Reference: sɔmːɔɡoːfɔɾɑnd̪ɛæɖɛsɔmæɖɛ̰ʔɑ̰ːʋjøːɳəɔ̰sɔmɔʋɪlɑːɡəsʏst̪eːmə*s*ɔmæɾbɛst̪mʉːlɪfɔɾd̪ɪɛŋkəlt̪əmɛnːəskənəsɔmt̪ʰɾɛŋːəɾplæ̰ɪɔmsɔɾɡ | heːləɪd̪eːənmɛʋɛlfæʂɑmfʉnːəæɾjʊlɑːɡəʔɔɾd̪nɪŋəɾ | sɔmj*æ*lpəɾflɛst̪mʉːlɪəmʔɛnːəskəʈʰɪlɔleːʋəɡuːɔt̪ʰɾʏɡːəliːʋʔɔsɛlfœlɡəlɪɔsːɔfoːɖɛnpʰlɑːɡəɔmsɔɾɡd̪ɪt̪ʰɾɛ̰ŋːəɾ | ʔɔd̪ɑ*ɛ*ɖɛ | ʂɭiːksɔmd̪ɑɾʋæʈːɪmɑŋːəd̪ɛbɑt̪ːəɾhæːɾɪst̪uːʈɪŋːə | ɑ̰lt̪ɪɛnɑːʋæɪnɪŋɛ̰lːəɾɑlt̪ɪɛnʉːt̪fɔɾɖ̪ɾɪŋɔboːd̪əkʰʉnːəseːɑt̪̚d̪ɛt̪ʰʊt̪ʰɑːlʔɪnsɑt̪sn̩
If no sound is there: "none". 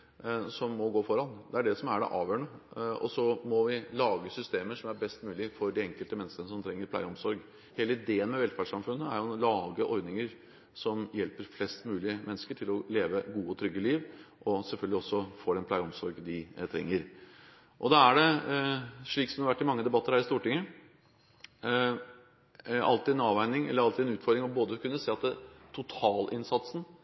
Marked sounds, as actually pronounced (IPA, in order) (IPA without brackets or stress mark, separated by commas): ʂ, ɛ, æ